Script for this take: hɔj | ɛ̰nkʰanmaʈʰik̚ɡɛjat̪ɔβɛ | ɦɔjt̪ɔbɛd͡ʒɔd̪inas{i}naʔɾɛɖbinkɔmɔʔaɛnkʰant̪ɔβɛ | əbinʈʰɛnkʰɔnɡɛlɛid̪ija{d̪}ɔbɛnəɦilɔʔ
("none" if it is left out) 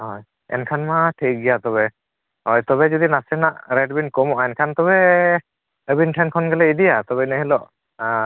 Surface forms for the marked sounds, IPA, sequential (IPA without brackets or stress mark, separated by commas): ɛ, t̪